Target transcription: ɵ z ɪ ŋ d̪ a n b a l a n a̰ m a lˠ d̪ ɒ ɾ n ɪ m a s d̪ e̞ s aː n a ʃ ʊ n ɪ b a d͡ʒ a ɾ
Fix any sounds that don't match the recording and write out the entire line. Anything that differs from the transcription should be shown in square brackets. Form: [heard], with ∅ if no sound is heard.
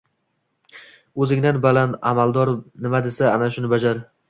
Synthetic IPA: ɵ z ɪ ŋ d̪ a n b a l a n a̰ m a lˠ d̪ ɒ ɾ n ɪ m a [∅] d̪ e̞ s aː n a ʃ ʊ n ɪ b a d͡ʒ a ɾ